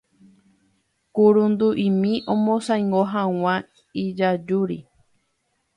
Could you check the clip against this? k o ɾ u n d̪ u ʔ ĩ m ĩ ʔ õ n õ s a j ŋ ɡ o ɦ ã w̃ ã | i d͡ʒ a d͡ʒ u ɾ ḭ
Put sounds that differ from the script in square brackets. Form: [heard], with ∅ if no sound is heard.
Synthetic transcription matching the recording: k [u] ɾ u n d̪ u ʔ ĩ m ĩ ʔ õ [m] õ s a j ŋ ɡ o ɦ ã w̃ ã | i d͡ʒ a d͡ʒ u ɾ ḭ